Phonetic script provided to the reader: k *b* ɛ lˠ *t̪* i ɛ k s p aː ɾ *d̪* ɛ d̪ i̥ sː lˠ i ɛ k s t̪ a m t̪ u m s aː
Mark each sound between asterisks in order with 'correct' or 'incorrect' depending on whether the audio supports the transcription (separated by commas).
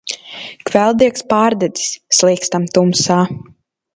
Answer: incorrect, incorrect, correct